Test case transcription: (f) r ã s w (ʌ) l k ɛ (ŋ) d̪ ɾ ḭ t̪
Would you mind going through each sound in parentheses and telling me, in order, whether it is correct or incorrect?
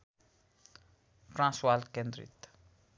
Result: correct, incorrect, incorrect

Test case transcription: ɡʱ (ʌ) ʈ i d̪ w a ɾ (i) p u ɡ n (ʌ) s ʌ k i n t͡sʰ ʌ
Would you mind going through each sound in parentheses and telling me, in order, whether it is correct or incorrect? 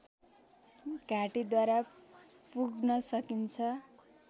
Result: incorrect, incorrect, correct

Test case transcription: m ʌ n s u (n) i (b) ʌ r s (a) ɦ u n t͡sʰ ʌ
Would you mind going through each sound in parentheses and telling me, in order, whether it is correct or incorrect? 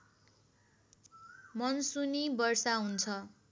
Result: correct, correct, correct

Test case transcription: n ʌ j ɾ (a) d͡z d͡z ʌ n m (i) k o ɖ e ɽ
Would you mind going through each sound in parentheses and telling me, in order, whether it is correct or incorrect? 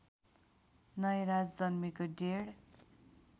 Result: correct, correct

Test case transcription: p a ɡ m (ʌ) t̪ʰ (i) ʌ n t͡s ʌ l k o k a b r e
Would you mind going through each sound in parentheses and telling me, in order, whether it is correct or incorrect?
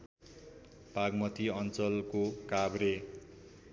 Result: correct, correct

